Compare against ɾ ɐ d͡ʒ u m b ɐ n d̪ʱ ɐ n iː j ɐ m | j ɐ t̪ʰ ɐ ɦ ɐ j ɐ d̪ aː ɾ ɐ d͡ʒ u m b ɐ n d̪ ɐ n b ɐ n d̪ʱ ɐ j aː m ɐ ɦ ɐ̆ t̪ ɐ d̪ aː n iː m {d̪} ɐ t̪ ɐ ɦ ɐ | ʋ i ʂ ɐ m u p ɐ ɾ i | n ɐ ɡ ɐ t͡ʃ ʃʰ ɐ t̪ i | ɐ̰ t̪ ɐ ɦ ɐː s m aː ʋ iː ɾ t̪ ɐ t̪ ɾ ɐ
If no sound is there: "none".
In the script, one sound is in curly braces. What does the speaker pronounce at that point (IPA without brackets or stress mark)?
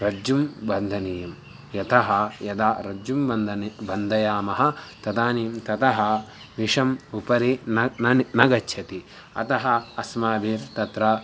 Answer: t̪